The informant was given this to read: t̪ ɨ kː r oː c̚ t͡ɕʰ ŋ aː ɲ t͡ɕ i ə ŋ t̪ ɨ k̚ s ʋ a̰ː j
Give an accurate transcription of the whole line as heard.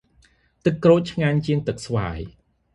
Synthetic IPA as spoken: t̪ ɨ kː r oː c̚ t͡ɕʰ ŋ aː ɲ t͡ɕ i ə ŋ t̪ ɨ k̚ s ʋ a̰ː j